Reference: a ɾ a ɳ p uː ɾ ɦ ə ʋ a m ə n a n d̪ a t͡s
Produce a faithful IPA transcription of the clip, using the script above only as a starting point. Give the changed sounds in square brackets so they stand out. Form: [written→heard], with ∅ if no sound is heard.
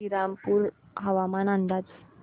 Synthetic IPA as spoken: [a→i] ɾ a [ɳ→m] p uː ɾ ɦ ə ʋ a m [ə→a] n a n d̪ a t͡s